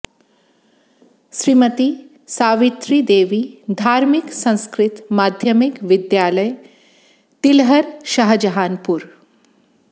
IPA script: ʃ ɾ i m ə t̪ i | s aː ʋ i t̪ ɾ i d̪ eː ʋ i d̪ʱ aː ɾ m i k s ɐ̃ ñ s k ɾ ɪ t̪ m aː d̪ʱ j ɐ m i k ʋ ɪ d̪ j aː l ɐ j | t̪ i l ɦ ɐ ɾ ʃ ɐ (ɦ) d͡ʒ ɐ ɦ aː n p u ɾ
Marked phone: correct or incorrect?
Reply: correct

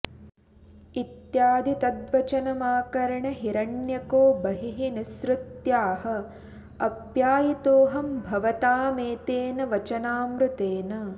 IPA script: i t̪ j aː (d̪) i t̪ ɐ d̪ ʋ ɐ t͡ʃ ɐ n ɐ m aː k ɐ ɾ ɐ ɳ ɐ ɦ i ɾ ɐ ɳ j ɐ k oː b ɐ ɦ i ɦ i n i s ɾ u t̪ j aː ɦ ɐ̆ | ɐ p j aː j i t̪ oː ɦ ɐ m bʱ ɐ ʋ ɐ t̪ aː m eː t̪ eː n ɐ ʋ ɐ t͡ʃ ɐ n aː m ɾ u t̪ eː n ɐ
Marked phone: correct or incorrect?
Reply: correct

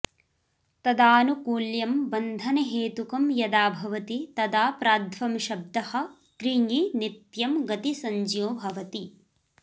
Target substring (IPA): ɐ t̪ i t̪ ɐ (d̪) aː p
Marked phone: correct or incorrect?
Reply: correct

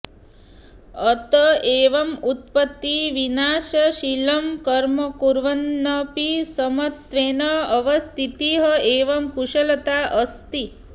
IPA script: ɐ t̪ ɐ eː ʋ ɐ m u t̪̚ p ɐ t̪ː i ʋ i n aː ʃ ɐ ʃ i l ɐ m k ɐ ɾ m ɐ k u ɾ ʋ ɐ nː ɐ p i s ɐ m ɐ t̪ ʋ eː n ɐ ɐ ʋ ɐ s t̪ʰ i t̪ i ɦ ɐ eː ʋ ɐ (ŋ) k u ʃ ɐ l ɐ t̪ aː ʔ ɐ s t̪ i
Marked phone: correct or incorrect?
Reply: incorrect: m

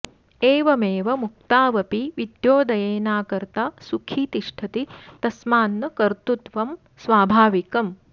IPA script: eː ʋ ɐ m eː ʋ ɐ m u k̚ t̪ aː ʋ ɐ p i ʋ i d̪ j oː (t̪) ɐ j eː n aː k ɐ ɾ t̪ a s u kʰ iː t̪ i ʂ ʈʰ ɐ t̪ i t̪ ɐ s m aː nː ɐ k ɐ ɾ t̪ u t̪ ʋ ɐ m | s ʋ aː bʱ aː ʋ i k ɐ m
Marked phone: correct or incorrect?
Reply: incorrect: d̪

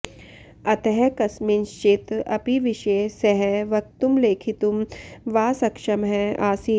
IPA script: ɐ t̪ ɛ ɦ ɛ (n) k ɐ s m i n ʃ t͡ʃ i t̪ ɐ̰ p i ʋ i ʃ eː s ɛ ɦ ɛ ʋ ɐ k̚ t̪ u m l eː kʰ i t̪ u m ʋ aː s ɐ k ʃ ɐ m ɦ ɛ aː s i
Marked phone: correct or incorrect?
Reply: incorrect: none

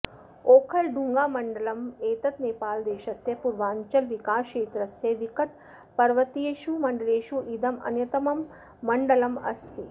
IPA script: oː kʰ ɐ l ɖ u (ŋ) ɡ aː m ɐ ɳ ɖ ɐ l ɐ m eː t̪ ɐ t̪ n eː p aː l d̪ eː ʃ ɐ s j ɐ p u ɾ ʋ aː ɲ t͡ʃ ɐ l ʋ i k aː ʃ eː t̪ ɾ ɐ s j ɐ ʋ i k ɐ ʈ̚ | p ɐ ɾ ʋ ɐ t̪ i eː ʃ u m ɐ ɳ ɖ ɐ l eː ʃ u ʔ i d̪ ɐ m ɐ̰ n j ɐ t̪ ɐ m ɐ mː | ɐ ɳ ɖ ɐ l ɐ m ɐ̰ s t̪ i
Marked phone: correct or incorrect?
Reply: correct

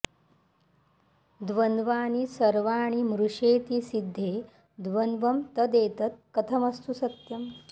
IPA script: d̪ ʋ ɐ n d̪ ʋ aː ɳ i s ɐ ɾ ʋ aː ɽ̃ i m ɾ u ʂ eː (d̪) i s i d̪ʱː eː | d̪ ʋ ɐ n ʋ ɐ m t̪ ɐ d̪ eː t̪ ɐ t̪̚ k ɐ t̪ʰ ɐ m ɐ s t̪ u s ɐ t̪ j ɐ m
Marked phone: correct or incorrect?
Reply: incorrect: t̪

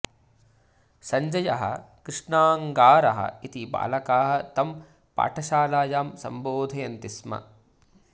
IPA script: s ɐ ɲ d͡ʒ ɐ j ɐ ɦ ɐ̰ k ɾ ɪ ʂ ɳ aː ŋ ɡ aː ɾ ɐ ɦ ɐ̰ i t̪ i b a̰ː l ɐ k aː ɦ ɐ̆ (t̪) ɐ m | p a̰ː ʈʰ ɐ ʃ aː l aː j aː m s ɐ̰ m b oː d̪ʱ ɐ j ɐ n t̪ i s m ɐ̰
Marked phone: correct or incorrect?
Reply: correct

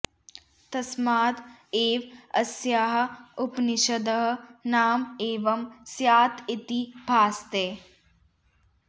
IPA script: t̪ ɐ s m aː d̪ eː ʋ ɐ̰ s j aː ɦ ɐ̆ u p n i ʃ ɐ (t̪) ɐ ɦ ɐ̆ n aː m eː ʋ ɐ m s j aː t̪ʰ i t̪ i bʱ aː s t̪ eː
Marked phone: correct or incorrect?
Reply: incorrect: d̪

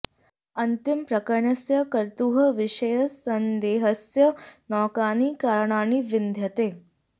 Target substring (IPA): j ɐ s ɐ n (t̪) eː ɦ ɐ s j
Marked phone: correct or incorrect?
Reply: incorrect: d̪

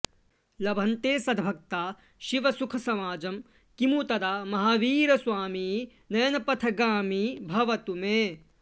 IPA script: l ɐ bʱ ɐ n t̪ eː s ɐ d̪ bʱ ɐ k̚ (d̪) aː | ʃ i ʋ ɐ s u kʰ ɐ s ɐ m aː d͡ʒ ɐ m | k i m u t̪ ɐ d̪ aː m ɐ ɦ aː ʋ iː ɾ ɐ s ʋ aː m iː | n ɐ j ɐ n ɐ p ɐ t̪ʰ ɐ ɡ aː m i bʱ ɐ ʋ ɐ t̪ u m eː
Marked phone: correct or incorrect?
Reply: incorrect: t̪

